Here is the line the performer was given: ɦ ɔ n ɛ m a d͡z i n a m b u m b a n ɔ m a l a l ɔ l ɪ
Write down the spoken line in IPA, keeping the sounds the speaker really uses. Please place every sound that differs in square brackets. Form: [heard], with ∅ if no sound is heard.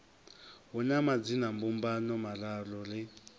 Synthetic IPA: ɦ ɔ n [a] m a d͡z i n a m b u m b a n ɔ m a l a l ɔ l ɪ